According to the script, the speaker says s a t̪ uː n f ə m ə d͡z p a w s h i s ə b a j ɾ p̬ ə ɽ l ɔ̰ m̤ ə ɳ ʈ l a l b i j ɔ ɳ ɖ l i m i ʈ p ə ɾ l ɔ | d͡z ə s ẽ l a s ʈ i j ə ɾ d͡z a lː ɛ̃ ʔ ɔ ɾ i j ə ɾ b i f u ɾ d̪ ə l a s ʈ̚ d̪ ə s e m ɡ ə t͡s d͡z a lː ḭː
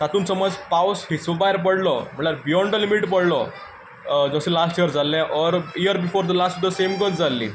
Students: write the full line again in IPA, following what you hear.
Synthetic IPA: s a t̪ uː n s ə m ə d͡z p a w s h i s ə b a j ɾ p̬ ə ɽ l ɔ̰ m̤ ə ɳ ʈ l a ɾ b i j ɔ ɳ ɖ l i m i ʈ p ə ɽ l ɔ | d͡z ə s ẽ l a s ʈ i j ə ɾ d͡z a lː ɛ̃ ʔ ɔ ɾ i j ə ɾ b i f o ɾ d̪ ə l a s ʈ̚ d̪ ə s e m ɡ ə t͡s d͡z a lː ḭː